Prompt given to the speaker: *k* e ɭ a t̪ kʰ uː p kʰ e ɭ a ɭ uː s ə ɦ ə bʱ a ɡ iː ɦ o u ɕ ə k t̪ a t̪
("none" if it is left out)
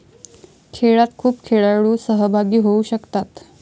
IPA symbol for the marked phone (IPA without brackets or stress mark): kʰ